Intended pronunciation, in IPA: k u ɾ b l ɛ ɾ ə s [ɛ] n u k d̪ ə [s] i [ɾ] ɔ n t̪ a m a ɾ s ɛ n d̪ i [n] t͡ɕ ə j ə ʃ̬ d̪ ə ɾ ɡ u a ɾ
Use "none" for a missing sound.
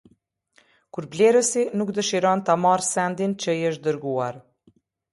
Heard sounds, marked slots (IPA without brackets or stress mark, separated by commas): i, ʃ, ɾ, n